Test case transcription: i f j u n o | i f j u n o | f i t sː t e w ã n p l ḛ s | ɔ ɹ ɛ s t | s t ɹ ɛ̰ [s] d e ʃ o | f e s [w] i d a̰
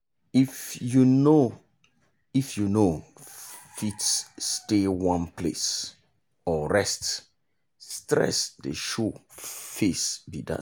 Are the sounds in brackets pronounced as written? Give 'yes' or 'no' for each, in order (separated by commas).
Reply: yes, no